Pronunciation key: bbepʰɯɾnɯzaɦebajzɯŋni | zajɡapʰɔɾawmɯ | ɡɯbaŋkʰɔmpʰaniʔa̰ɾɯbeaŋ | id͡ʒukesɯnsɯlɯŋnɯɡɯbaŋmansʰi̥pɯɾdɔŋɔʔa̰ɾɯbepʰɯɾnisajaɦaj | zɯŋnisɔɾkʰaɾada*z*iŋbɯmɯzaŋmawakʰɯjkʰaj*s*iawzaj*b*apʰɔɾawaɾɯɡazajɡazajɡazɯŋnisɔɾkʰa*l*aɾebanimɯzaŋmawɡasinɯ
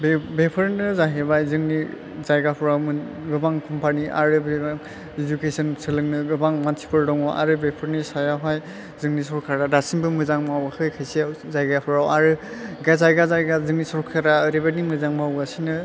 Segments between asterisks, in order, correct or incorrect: incorrect, correct, incorrect, incorrect

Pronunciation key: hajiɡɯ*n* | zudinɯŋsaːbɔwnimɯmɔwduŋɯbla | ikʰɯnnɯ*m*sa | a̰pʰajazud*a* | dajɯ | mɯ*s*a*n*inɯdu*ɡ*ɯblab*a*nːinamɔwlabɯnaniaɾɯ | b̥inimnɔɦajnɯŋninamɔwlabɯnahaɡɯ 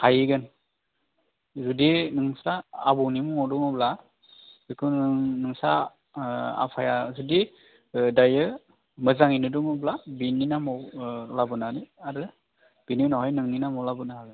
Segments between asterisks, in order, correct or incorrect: correct, incorrect, incorrect, incorrect, incorrect, incorrect, incorrect

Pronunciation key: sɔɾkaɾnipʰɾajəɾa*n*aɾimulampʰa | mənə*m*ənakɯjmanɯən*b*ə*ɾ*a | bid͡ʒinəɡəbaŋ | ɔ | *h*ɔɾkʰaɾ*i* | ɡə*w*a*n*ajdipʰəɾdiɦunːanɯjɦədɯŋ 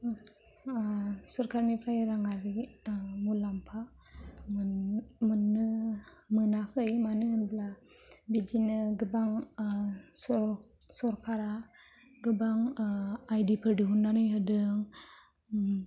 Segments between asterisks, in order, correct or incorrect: incorrect, correct, correct, incorrect, incorrect, incorrect, incorrect, incorrect

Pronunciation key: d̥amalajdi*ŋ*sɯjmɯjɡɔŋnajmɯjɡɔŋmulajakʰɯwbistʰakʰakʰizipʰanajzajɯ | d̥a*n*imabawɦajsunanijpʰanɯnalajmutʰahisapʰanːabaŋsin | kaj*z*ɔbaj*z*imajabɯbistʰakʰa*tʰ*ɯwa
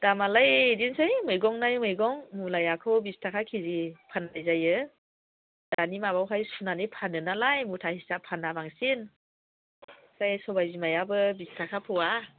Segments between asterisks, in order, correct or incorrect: incorrect, correct, incorrect, correct, incorrect

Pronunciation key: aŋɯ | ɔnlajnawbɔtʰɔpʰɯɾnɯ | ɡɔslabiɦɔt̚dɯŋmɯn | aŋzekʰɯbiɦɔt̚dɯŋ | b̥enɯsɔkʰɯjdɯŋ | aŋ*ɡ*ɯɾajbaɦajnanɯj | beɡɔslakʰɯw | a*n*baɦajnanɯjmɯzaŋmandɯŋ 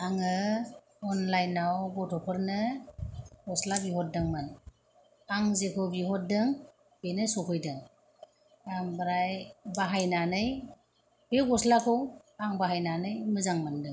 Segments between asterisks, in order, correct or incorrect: incorrect, incorrect

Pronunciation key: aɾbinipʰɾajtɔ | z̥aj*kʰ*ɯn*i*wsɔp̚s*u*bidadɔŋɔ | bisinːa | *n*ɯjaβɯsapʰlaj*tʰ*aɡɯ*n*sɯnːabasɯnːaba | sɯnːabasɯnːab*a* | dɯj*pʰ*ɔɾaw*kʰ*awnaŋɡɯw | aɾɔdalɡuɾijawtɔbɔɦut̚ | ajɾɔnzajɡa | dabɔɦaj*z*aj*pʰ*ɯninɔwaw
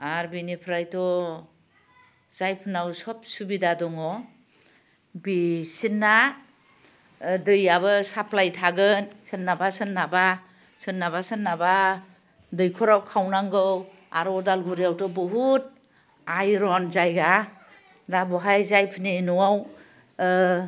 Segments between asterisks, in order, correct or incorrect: incorrect, incorrect, correct, incorrect, correct, correct, correct, incorrect, correct, correct, correct

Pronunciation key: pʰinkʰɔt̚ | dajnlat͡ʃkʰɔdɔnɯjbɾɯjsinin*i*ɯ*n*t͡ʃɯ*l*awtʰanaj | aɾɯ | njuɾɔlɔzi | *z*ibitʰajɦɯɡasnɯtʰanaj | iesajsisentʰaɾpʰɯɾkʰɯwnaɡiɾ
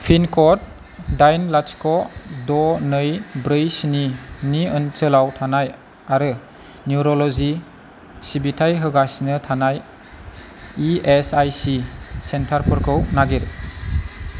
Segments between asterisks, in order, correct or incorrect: correct, correct, correct, incorrect

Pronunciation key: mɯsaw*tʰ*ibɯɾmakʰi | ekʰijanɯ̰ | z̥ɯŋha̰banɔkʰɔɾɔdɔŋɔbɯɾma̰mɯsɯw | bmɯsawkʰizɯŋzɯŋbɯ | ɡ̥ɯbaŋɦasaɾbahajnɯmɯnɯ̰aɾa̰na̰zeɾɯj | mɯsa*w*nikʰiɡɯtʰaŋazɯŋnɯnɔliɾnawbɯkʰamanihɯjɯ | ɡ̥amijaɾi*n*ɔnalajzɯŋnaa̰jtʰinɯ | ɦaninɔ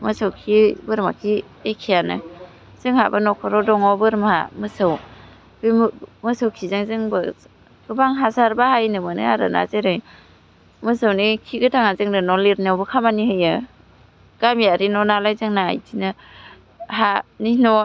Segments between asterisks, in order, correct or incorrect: incorrect, correct, correct

